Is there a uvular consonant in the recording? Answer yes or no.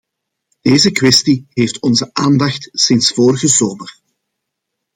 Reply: no